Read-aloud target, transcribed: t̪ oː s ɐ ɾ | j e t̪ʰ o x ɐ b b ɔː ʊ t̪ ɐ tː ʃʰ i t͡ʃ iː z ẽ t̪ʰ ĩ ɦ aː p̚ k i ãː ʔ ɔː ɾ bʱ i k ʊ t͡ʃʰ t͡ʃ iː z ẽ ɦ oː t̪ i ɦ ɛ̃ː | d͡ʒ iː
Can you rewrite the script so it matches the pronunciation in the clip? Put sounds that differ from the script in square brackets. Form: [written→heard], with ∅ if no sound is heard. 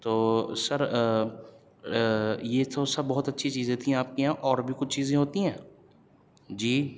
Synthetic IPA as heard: t̪ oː s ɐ ɾ | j e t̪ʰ o [x→s] ɐ b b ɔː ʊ t̪ ɐ tː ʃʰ i t͡ʃ iː z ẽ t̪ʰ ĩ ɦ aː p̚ k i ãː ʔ ɔː ɾ bʱ i k ʊ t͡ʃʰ t͡ʃ iː z ẽ ɦ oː t̪ i ɦ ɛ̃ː | d͡ʒ iː

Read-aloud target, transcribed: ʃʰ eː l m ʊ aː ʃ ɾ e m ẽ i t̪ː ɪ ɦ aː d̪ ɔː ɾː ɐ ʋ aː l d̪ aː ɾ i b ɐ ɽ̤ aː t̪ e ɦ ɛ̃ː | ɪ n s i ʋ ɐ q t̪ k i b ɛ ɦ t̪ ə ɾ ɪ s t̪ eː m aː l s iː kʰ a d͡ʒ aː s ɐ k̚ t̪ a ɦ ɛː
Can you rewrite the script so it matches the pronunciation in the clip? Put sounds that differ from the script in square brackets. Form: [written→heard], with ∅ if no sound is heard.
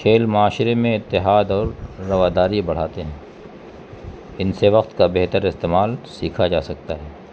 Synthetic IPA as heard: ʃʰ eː l m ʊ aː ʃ ɾ e m ẽ [i→ɪ] t̪ː ɪ ɦ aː d̪ ɔː ɾː ɐ ʋ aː [l→∅] d̪ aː ɾ i b ɐ ɽ̤ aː t̪ e ɦ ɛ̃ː | ɪ n s [i→e] ʋ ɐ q t̪ k [i→a] b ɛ ɦ t̪ ə ɾ ɪ s t̪ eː m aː l s iː kʰ a d͡ʒ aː s ɐ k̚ t̪ a ɦ ɛː

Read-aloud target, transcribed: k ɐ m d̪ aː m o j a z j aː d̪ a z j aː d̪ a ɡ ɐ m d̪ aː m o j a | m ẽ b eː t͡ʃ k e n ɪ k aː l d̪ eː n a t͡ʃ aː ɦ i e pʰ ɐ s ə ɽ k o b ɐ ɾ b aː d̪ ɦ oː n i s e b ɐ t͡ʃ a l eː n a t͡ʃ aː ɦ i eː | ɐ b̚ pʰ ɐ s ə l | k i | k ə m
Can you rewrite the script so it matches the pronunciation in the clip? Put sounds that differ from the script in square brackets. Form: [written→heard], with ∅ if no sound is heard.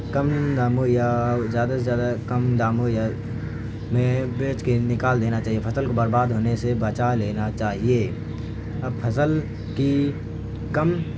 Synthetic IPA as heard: k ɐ m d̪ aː m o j a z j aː d̪ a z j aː d̪ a [ɡ→k] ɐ m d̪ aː m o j a | m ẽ b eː t͡ʃ k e n ɪ k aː l d̪ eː n a t͡ʃ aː ɦ i e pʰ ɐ s ə [ɽ→l] k o b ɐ ɾ b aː d̪ ɦ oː n [i→e] s e b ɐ t͡ʃ a l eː n a t͡ʃ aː ɦ i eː | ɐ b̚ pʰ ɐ s ə l | k i | k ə m

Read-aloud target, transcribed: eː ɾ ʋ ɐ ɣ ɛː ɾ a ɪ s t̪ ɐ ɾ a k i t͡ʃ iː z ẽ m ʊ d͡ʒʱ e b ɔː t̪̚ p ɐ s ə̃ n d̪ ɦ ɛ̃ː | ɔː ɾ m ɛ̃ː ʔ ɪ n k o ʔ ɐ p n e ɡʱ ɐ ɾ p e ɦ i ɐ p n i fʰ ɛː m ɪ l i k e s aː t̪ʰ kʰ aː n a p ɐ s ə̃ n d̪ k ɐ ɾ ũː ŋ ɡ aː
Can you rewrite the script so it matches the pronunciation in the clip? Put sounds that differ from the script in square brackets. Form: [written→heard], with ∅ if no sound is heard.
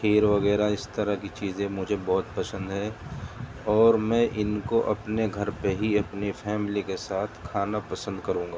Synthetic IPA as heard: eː ɾ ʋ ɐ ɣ ɛː ɾ a ɪ s t̪ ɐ ɾ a k i t͡ʃ iː z ẽ m ʊ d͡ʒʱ e b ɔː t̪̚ p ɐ s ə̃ n d̪ ɦ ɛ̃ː | ɔː ɾ m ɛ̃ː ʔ ɪ n k o ʔ ɐ p n e ɡʱ ɐ ɾ p e ɦ i ɐ p n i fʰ ɛː m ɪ l i k e s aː t̪ʰ kʰ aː n a p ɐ s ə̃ n d̪ k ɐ ɾ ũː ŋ ɡ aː

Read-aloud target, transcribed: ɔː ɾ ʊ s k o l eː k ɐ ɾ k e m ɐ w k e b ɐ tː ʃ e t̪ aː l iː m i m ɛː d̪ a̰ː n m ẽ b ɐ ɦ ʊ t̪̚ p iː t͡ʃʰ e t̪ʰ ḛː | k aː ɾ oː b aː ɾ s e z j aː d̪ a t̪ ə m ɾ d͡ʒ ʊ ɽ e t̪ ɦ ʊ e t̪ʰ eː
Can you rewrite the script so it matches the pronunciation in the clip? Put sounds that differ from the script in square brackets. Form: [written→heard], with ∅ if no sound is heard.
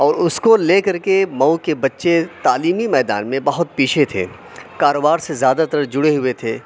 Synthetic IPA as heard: ɔː ɾ ʊ s k o l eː k ɐ ɾ k e m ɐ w k e b ɐ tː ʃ e t̪ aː l iː m i m ɛː d̪ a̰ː n m ẽ b ɐ ɦ ʊ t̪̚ p iː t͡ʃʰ e t̪ʰ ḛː | k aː ɾ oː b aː ɾ s e z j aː d̪ a t̪ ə [m→∅] ɾ d͡ʒ ʊ ɽ e [t̪→∅] ɦ ʊ e t̪ʰ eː

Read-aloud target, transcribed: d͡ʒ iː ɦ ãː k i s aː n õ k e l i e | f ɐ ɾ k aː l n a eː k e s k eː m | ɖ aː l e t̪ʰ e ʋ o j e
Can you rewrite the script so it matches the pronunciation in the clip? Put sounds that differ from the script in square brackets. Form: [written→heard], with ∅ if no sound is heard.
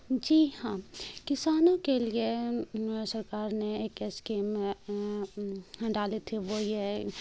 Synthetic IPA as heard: d͡ʒ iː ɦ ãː k [i→ɪ] s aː n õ k e l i e | [f→s] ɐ ɾ k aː [l→ɾ] n [a→e] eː k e s k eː m | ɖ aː l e t̪ʰ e ʋ o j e

